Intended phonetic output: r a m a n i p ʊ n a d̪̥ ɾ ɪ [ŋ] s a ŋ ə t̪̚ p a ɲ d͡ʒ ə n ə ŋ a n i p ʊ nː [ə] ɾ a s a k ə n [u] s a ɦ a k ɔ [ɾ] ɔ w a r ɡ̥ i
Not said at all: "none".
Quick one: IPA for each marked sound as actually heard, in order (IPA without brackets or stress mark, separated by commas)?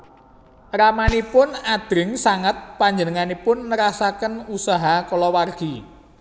ŋ, ə, u, l